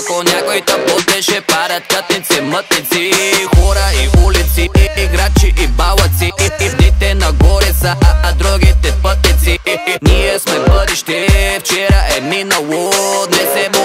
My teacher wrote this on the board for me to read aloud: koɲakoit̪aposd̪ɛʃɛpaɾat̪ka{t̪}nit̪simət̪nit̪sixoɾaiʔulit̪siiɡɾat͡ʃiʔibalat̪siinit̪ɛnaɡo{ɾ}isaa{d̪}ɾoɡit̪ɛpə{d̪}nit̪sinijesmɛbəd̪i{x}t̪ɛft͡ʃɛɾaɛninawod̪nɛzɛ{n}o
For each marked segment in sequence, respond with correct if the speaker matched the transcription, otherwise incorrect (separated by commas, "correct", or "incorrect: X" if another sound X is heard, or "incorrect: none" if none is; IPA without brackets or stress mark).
correct, correct, correct, incorrect: t̪, incorrect: ʃ, incorrect: m